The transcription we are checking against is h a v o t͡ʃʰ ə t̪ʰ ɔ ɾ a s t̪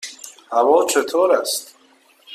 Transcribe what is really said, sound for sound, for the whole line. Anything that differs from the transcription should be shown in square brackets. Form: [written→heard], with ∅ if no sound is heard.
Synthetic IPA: h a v [o→ɔ] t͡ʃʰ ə t̪ʰ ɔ ɾ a s t̪